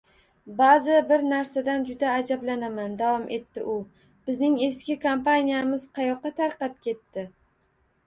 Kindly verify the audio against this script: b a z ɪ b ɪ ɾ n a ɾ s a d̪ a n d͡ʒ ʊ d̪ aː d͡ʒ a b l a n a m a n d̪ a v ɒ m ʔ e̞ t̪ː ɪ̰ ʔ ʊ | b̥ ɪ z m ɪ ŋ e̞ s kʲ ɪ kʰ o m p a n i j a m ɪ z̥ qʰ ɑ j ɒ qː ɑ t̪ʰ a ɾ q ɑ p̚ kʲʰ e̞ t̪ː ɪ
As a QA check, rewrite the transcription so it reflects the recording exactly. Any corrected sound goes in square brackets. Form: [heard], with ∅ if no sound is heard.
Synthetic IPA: b a z ɪ b ɪ ɾ n a ɾ s a d̪ a n d͡ʒ ʊ d̪ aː d͡ʒ a b l a n a m a n d̪ a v ɒ m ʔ e̞ t̪ː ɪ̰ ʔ ʊ | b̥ ɪ z [n] ɪ ŋ e̞ s kʲ ɪ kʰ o m p a n i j a m ɪ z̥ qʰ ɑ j ɒ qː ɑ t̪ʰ a ɾ q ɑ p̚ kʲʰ e̞ t̪ː ɪ